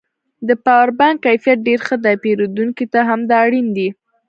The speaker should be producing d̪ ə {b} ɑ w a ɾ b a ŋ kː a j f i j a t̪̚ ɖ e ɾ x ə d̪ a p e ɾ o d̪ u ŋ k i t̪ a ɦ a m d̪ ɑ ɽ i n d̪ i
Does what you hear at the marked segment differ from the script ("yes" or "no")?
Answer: yes